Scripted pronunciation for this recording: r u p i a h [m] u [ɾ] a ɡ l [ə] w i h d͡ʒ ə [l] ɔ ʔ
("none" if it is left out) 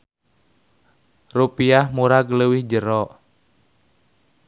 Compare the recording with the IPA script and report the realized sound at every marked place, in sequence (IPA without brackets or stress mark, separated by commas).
m, ɾ, ə, ɾ